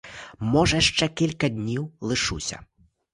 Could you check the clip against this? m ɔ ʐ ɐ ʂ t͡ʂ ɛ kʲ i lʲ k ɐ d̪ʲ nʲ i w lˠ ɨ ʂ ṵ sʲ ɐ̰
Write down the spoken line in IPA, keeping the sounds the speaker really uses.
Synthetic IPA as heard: m ɔ ʐ ɐ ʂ t͡ʂ ɛ kʲ i lʲ k ɐ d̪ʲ nʲ i w lˠ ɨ ʂ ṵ sʲ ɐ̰